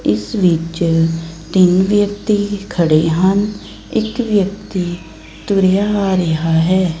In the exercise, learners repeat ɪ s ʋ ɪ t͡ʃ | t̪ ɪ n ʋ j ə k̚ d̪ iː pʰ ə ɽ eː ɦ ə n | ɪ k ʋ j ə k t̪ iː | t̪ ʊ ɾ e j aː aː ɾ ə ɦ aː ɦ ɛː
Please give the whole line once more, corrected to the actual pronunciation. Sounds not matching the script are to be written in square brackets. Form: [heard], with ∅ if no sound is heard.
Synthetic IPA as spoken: ɪ s ʋ ɪ t͡ʃ | t̪ ɪ n ʋ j ə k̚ [t̪] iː [kʰ] ə ɽ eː ɦ ə n | ɪ k ʋ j ə k t̪ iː | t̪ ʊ ɾ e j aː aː ɾ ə ɦ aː ɦ ɛː